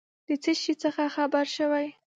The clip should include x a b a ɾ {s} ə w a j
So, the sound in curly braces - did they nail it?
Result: no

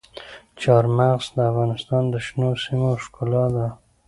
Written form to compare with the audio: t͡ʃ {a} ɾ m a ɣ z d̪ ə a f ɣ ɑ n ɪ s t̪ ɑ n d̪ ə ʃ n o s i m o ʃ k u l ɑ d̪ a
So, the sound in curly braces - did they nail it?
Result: no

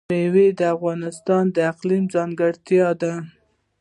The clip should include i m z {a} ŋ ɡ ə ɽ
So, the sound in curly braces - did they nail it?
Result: no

